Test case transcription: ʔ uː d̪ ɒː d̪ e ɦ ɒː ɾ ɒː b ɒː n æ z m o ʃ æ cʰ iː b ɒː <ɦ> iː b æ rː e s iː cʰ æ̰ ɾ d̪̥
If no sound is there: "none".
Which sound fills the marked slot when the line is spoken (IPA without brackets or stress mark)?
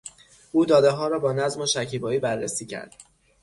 none